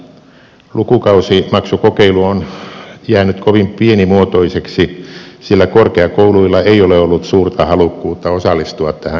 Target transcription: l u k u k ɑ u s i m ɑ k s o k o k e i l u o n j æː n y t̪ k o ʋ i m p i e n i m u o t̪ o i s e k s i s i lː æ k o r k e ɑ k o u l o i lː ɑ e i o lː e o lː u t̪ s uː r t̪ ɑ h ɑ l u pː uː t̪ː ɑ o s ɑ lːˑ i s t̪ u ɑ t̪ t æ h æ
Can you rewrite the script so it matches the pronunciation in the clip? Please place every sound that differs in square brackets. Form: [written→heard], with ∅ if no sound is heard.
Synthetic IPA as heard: l u k u k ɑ u s i m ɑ k s [o→u] k o k e i l u o n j æː n y t̪ k o ʋ i m p i e n i m u o t̪ o i s e k s i s i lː æ k o r k e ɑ k o u l [o→u] i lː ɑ e i o [lː→l] e o lː u t̪ s uː r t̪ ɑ h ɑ l u [pː→kː] uː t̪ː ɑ o s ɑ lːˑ i s t̪ u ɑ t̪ t æ h æ